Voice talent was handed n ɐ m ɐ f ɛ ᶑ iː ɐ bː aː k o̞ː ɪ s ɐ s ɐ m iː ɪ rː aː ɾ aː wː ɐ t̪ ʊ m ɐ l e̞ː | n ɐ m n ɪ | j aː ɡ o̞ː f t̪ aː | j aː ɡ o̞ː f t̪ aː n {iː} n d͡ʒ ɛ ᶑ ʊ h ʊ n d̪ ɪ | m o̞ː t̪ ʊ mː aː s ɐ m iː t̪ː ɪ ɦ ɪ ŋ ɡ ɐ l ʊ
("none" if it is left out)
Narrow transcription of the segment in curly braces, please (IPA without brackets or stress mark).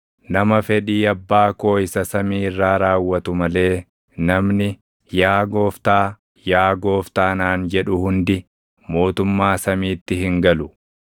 aː